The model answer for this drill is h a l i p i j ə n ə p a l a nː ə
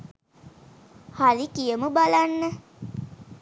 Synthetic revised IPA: h a l i k i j ə m ə b a l a nː ə